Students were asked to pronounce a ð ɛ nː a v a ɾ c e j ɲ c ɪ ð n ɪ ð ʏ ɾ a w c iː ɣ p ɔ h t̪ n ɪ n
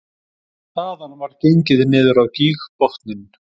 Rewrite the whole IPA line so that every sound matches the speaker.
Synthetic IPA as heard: a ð a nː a v a ɾ c e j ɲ c ɪ ð n ɪː ð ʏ ɾ a w c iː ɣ p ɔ h t̪ n ɪ n